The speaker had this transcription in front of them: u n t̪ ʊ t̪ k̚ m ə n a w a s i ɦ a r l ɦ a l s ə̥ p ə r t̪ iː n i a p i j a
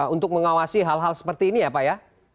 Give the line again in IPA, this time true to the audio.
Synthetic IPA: u n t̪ ʊ k̚ m ə ŋ a w a s i ɦ a l ɦ a l s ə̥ p ə r t̪ iː n i a p a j a